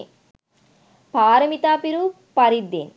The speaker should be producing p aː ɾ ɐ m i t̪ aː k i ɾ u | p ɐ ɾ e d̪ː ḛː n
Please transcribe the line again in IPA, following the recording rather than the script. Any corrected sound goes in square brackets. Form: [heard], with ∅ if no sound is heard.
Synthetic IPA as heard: p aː ɾ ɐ m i t̪ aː [p] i ɾ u | p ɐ ɾ [i] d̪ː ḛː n